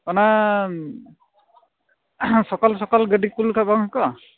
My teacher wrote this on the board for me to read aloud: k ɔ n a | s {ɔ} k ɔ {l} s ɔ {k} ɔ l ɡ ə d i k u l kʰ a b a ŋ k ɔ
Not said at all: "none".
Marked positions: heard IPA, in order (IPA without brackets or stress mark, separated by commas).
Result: ɔ, l, k